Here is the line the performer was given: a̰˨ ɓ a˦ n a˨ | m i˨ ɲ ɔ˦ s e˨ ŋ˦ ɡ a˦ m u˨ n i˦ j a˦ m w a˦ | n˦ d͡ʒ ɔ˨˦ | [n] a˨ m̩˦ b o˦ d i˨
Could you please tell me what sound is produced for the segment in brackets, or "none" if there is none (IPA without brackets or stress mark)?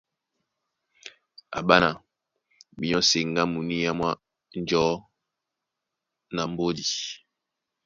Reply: n